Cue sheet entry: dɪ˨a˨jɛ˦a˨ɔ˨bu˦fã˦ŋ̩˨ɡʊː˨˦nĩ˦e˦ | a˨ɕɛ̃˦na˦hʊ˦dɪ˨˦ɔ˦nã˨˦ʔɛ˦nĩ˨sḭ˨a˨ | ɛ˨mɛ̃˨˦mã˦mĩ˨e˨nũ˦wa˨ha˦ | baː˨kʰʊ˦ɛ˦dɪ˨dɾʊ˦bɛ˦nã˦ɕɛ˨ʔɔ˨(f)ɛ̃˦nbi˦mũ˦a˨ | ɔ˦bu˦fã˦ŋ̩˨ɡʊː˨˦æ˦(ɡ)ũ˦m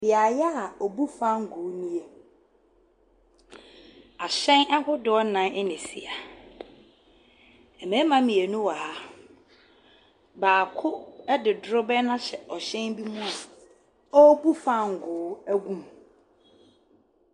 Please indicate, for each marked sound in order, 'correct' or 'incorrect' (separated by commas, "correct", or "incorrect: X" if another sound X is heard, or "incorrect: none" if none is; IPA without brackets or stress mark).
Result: incorrect: ɕ, correct